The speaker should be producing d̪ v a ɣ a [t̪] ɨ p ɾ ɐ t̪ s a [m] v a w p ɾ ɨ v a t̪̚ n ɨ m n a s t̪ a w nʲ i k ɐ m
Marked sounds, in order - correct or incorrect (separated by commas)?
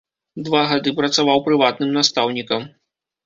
incorrect, incorrect